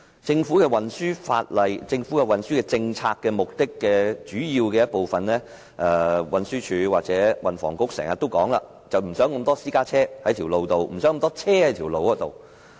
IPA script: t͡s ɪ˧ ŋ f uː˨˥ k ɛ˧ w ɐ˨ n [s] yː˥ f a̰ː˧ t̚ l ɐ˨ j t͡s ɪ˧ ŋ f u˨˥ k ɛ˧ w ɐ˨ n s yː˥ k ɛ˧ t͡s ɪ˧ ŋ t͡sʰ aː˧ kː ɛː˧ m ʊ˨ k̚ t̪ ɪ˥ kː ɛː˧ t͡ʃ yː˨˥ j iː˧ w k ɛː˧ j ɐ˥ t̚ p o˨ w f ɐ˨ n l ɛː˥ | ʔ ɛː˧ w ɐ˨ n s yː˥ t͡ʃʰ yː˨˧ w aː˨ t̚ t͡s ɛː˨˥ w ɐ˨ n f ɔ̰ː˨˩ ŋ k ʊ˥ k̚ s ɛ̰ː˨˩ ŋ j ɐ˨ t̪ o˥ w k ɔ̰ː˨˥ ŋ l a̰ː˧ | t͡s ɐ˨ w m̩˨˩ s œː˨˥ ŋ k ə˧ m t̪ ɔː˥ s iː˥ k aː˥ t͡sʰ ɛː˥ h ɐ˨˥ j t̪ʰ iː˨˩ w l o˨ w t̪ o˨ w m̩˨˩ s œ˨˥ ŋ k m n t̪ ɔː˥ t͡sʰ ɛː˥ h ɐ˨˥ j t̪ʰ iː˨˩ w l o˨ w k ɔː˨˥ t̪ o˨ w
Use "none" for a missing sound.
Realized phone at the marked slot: s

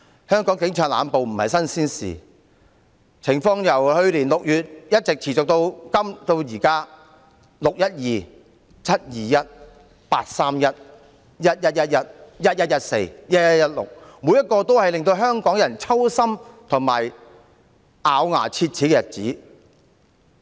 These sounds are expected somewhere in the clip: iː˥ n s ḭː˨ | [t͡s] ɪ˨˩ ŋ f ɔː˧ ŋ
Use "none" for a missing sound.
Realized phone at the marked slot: t͡sʰ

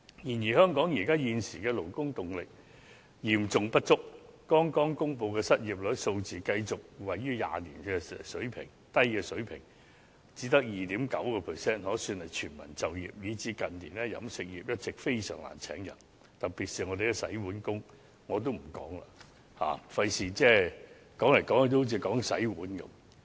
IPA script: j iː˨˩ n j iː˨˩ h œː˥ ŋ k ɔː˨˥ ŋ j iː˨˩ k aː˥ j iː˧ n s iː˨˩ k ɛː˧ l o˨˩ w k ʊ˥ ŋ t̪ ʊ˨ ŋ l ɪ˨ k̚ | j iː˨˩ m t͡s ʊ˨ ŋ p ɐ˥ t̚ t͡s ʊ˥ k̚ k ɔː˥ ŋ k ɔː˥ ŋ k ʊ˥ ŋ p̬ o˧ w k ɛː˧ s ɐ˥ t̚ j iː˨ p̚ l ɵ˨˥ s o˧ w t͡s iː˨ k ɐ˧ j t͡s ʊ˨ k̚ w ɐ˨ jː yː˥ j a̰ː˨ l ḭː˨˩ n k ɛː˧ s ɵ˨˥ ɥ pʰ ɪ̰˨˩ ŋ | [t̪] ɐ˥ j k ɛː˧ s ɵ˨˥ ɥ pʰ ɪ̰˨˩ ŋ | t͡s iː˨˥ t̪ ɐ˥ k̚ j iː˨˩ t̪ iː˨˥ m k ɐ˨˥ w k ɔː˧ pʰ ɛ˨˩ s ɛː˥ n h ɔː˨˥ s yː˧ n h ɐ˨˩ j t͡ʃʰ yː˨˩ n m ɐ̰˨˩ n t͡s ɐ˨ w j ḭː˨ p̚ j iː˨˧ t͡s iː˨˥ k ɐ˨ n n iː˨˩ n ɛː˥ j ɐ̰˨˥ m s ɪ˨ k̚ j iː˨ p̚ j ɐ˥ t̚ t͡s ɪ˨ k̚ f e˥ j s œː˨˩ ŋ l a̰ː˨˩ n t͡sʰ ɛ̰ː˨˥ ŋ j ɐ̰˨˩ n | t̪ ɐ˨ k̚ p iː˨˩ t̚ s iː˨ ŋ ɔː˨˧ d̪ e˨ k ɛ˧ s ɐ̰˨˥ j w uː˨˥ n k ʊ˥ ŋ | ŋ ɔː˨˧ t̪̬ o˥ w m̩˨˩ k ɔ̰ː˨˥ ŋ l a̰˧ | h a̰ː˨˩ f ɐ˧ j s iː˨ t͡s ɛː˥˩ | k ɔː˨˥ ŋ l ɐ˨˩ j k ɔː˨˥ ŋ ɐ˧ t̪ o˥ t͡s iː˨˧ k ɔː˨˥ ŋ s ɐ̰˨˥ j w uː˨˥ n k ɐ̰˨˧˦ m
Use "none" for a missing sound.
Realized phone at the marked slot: t̪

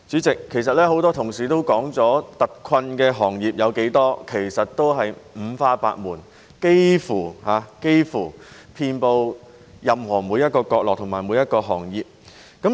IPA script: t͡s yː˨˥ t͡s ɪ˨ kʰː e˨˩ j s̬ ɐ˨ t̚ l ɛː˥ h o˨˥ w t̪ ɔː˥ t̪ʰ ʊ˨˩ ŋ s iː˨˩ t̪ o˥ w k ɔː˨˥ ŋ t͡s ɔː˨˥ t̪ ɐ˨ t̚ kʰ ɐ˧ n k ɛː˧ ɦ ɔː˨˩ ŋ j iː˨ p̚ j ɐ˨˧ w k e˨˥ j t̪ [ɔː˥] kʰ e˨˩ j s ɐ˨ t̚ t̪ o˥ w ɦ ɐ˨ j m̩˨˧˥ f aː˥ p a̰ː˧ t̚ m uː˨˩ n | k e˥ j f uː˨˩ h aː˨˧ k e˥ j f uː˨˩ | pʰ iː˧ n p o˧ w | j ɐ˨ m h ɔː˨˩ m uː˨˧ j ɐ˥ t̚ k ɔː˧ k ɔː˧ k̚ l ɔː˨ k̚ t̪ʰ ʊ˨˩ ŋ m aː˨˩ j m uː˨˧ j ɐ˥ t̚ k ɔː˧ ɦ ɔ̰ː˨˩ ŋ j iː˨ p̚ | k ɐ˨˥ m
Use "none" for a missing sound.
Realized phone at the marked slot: ɔː˥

